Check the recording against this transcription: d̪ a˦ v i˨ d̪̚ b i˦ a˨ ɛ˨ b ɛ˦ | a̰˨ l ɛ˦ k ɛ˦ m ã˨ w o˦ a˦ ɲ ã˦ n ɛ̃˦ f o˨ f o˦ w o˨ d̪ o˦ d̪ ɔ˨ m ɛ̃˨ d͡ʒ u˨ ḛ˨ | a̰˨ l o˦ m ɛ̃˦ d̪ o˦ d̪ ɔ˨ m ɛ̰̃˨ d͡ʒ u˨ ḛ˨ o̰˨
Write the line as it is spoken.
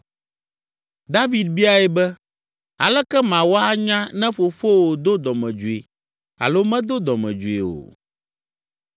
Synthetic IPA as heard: d̪ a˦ v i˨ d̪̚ b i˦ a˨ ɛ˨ b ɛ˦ | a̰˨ l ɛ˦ k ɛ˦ m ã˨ w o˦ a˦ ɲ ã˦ n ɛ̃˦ f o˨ f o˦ w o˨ d̪ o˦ d̪ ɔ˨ m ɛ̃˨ d͡ʒ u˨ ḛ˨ | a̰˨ l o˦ m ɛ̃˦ d̪ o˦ d̪ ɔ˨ m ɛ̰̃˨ d͡ʒ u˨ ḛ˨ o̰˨